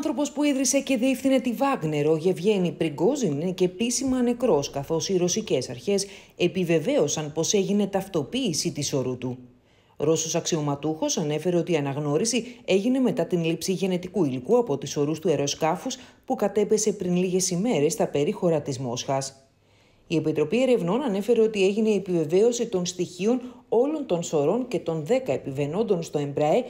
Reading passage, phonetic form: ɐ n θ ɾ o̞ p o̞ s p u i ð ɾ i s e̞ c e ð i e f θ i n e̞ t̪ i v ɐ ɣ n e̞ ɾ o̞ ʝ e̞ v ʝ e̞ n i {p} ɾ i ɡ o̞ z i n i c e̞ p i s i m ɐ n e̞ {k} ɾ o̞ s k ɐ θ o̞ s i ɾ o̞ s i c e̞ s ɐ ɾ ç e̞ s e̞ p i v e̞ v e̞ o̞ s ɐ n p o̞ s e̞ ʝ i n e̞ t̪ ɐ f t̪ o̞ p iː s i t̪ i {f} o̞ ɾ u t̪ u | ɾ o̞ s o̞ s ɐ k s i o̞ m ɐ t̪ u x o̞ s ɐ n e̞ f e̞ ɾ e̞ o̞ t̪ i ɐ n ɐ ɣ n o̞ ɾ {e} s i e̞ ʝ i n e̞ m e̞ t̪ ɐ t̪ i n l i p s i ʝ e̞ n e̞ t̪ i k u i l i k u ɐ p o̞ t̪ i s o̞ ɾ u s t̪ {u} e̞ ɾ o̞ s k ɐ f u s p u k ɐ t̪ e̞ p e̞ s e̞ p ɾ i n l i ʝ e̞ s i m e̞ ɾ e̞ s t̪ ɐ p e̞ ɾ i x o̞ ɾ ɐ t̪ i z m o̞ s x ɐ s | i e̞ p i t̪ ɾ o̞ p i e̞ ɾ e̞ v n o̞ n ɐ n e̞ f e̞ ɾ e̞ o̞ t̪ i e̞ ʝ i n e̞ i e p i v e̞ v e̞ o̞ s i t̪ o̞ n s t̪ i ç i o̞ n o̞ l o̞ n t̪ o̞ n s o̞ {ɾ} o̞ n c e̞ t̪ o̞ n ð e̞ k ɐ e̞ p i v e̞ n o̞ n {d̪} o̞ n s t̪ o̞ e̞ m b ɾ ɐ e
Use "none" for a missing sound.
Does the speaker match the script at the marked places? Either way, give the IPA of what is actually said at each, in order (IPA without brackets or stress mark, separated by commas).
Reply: p, k, s, i, u, ɾ, d̪